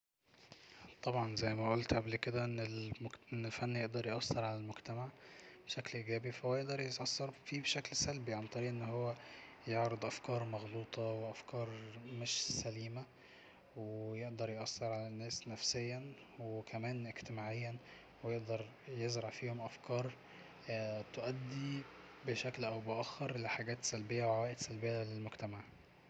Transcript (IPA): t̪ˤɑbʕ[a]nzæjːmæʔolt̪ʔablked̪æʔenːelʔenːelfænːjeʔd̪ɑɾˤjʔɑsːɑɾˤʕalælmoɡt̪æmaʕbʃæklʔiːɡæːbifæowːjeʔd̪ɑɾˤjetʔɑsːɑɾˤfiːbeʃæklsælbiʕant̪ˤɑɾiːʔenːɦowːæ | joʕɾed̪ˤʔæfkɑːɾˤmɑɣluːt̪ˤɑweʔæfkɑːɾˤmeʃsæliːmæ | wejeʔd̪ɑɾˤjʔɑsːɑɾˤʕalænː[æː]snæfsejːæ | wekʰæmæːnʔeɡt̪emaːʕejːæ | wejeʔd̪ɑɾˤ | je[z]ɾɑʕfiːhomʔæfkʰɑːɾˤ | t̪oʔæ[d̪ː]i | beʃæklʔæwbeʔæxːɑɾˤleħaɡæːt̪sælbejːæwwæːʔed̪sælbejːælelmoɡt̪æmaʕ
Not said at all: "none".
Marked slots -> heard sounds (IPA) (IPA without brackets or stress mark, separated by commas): ɑ, æː, z, d̪ː